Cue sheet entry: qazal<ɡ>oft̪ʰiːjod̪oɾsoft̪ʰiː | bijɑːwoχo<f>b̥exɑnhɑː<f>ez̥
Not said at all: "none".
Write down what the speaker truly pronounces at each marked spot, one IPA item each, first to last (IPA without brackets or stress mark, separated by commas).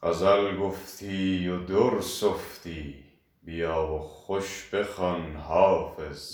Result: ɡ, ʃ, f